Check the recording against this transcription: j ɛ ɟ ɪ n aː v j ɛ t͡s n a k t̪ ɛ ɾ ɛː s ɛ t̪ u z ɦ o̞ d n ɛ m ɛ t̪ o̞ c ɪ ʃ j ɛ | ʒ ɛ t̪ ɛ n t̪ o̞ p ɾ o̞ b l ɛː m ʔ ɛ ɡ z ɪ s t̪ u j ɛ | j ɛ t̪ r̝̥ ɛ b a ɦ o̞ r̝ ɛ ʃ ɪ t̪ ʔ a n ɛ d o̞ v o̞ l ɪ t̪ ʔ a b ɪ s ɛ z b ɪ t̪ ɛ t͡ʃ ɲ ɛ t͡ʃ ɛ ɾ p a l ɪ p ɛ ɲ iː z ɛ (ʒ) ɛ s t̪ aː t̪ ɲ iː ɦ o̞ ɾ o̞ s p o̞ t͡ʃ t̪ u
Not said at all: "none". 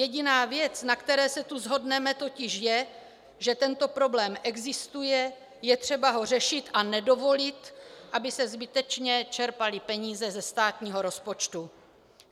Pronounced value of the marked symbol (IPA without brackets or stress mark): z